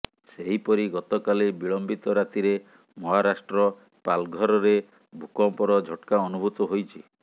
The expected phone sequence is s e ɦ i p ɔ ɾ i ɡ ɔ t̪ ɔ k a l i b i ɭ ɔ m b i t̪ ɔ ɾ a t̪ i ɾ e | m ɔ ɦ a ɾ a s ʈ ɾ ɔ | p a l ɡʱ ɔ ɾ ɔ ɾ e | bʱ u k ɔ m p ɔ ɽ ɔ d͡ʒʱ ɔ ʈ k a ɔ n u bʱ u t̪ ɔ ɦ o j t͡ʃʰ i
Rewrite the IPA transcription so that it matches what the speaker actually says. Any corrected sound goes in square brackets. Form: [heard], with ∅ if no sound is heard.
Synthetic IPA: s e ɦ i p ɔ ɾ i ɡ ɔ t̪ ɔ k a l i b i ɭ ɔ m b i t̪ ɔ ɾ a t̪ i ɾ e | m ɔ ɦ a ɾ a s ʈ ɾ ɔ | p a l ɡʱ ɔ ɾ ɔ ɾ e | bʱ u k ɔ m p ɔ [ɾ] ɔ d͡ʒʱ ɔ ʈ k a ɔ n u bʱ u t̪ ɔ ɦ o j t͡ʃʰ i